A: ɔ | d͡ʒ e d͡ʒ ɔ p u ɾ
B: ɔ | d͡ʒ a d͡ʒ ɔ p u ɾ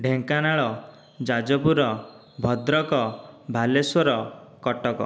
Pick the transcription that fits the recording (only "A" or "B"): B